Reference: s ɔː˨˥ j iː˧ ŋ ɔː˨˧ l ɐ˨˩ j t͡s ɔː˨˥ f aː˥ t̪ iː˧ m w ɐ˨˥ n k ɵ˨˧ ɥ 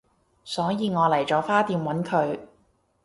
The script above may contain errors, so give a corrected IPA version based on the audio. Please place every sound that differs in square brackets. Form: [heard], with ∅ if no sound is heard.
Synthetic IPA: s ɔː˨˥ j iː˧ ŋ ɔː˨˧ l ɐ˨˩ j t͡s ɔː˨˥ f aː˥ t̪ iː˧ m w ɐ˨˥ n [kʰ] ɵ˨˧ ɥ